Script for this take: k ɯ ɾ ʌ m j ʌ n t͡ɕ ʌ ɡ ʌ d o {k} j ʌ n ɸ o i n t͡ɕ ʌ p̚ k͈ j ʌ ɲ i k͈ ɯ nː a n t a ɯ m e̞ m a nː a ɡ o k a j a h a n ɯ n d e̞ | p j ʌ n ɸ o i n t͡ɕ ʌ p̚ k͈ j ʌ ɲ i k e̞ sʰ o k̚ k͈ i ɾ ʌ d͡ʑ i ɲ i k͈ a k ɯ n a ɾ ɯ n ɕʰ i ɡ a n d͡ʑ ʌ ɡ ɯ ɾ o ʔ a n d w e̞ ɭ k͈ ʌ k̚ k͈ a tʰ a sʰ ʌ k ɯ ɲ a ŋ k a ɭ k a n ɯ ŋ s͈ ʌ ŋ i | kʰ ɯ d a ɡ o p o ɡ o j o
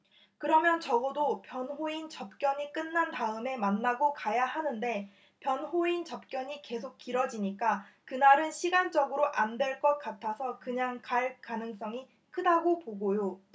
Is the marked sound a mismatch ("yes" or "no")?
yes